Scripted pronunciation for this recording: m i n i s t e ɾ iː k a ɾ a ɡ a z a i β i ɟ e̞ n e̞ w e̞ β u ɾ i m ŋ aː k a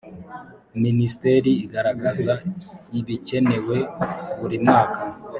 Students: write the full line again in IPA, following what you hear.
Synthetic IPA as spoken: m i n i s t e ɾ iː ɡ a ɾ a ɡ a z a i β i c e̞ n e̞ w e̞ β u ɾ i m ŋ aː k a